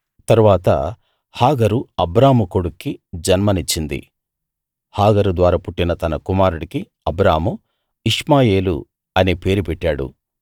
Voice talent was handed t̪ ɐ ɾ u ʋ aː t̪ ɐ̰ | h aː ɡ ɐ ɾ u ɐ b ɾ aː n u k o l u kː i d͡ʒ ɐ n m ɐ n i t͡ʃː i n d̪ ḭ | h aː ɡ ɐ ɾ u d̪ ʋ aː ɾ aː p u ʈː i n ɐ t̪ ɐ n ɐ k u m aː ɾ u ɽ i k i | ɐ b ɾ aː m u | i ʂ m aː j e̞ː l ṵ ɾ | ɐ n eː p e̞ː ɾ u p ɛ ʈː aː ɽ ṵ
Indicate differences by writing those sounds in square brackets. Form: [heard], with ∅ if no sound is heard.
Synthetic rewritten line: t̪ ɐ ɾ u ʋ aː t̪ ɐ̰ | h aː ɡ ɐ ɾ u ɐ b ɾ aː [m] u k o [ɽ] u kː i d͡ʒ ɐ n m ɐ n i t͡ʃː i n d̪ ḭ | h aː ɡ ɐ ɾ u d̪ ʋ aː ɾ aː p u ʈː i n ɐ t̪ ɐ n ɐ k u m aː ɾ u ɽ i k i | ɐ b ɾ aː m u | i ʂ m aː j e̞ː l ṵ [∅] | ɐ n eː p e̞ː ɾ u p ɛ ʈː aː ɽ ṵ